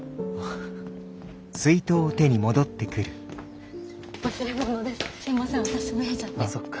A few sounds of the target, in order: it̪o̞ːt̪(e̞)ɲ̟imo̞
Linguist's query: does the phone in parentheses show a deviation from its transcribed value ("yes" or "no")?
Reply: no